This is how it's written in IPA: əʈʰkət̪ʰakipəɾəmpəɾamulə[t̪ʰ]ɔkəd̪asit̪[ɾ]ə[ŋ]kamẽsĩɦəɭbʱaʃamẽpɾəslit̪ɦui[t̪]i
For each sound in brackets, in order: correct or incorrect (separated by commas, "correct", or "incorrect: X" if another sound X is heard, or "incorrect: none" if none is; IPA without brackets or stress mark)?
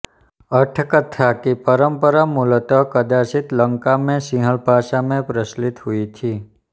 incorrect: t̪, incorrect: l, correct, incorrect: t̪ʰ